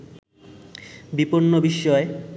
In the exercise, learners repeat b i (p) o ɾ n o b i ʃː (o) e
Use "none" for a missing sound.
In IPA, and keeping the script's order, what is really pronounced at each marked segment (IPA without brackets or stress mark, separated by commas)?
p, ɔ